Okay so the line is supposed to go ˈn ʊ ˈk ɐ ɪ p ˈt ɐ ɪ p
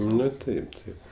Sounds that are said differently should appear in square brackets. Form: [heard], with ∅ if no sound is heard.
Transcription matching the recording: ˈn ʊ [ˈt] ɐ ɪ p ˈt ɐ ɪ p